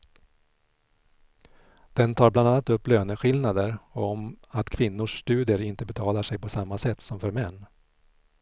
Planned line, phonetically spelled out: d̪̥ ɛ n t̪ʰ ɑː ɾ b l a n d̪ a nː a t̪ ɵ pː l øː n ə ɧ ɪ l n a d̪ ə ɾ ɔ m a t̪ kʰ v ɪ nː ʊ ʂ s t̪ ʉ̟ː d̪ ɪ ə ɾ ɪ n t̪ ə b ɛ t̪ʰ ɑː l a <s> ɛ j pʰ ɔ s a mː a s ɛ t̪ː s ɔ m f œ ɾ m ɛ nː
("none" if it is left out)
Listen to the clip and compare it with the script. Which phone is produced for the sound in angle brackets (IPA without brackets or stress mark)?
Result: ʂ